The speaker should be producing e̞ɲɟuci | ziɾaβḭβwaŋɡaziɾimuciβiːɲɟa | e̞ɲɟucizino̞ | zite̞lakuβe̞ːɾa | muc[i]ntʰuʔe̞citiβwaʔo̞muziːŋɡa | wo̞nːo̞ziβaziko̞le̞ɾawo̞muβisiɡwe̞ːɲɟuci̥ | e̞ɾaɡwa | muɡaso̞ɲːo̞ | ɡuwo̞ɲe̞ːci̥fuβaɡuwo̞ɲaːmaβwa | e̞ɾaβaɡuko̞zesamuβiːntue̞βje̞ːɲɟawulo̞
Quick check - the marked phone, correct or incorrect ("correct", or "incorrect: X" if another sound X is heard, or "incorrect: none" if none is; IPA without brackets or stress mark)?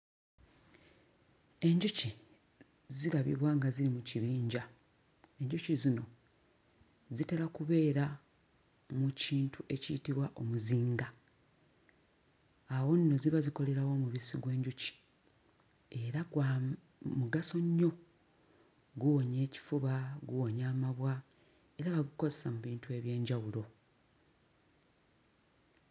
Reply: incorrect: iː